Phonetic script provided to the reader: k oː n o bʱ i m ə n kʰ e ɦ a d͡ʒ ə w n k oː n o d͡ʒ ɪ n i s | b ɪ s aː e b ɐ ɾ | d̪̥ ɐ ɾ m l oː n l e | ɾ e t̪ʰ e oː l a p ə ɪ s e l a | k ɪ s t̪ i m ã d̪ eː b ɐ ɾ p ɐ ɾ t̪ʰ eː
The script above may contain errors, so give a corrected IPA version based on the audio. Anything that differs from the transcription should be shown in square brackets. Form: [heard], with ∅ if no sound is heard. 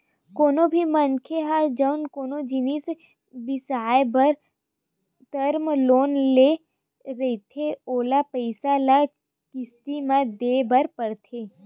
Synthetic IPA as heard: k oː n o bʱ i m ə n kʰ e ɦ a d͡ʒ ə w n k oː n o d͡ʒ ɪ n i s | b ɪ s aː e b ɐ ɾ | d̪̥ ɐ ɾ m l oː n l e | ɾ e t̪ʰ e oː l a p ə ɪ s [a] l a | k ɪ s t̪ i m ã d̪ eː b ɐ ɾ p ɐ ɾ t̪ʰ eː